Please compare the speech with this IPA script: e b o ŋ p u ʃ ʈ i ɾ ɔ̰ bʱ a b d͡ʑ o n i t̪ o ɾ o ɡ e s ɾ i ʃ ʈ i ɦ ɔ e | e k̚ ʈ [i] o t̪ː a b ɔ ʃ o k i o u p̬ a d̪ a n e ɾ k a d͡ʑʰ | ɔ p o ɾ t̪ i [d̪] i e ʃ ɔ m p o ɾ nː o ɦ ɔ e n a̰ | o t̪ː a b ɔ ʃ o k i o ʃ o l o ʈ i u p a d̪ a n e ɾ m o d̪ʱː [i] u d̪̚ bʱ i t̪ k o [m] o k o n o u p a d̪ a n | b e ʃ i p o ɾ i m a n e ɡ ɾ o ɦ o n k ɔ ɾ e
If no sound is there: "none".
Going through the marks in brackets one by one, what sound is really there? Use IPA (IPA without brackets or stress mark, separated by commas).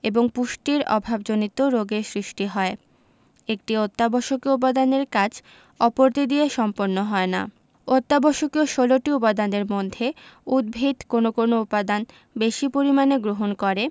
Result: i, d̪, e, n